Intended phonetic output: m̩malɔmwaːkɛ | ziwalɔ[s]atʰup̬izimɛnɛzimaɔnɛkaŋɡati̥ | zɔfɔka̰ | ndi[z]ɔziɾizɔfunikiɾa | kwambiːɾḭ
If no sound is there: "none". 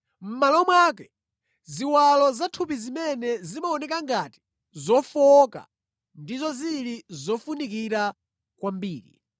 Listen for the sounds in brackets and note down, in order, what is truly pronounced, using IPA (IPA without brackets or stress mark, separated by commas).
z, z